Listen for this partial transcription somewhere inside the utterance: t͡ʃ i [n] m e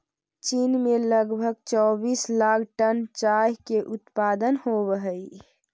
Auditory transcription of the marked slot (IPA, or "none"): n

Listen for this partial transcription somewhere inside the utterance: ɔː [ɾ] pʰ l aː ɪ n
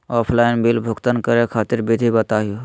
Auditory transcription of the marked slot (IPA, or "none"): none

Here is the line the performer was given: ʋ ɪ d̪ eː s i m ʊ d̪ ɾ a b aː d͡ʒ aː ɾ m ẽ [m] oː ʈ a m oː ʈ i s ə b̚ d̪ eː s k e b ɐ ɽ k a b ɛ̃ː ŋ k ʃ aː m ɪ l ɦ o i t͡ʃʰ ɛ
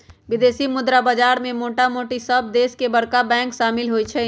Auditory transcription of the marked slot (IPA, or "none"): m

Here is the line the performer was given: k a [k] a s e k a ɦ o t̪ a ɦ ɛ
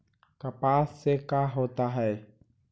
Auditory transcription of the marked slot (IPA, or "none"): p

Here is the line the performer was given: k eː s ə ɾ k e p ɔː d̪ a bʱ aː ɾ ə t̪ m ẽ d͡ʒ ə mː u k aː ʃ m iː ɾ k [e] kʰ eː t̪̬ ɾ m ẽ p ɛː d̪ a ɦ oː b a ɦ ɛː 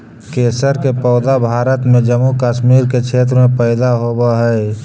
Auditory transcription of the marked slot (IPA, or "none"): e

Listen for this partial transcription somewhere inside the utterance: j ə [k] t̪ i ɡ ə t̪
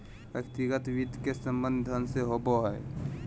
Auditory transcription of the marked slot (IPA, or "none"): k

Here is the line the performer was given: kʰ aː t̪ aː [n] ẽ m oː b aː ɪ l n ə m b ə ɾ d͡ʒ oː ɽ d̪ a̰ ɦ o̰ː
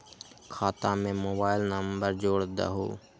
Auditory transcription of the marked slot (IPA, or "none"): m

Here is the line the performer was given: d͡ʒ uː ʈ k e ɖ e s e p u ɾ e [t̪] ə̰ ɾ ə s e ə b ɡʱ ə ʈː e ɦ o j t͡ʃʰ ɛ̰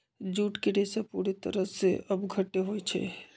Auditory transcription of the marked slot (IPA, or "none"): t̪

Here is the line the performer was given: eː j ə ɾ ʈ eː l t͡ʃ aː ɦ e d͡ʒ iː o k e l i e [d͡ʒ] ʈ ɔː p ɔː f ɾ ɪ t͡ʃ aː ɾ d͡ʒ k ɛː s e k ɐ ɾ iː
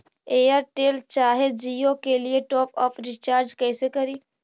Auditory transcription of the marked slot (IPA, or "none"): none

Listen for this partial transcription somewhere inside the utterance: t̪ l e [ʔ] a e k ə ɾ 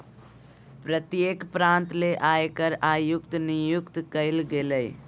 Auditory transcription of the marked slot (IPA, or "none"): ʔ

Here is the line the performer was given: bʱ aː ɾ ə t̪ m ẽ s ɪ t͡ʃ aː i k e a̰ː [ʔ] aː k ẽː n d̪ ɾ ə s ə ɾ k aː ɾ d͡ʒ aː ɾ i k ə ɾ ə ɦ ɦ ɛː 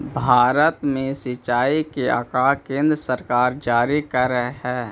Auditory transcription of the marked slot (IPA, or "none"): k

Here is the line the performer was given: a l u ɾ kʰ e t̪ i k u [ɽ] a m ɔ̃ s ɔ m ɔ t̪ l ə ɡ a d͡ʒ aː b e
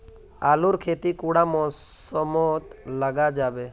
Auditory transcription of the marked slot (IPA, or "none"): ɽ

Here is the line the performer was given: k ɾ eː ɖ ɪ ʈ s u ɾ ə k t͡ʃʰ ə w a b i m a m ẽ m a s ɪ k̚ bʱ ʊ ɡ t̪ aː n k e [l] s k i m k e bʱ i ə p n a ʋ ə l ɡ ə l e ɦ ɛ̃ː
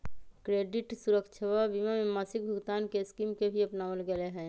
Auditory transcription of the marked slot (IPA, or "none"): none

